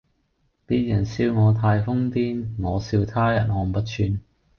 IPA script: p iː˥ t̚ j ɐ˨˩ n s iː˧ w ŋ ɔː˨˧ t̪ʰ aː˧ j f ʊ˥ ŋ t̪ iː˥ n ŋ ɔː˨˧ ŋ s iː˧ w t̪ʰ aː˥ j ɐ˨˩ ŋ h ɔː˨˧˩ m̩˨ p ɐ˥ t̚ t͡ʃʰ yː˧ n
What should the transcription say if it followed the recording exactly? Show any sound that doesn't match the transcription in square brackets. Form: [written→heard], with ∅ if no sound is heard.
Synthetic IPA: p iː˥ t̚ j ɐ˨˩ n s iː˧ w ŋ ɔː˨˧ t̪ʰ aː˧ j f ʊ˥ ŋ t̪ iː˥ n ŋ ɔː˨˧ [ŋ→∅] s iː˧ w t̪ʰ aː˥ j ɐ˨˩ [ŋ→n] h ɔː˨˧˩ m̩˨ p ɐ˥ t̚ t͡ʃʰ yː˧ n